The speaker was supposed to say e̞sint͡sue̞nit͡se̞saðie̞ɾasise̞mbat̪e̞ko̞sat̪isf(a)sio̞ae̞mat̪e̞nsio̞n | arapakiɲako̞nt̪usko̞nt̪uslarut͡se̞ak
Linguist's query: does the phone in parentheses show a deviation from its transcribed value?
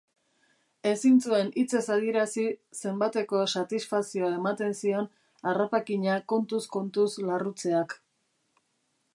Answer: no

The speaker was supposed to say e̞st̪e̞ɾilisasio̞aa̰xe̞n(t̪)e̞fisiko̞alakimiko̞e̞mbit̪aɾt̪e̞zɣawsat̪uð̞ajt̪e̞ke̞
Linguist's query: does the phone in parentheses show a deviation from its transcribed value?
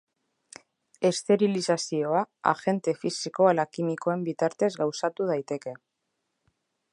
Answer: no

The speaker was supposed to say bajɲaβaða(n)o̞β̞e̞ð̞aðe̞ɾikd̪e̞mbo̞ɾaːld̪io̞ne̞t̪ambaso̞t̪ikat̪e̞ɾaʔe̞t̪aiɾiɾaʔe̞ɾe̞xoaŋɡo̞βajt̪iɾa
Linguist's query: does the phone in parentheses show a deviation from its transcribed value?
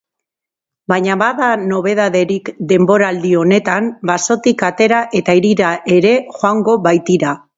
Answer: no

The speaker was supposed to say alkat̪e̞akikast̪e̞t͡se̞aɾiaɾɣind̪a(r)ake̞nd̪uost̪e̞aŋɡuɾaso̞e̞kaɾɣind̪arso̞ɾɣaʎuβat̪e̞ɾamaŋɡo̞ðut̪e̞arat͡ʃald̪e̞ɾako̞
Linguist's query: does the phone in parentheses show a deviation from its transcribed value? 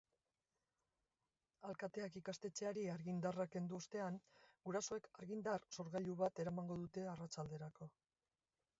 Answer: no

